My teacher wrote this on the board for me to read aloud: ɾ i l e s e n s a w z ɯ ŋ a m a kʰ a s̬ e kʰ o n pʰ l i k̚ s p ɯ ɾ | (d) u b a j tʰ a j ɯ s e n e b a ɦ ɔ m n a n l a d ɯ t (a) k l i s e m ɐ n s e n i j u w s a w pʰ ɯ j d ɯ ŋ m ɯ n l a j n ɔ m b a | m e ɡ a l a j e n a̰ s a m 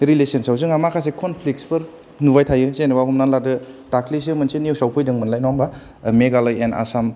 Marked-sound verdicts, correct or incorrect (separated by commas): incorrect, correct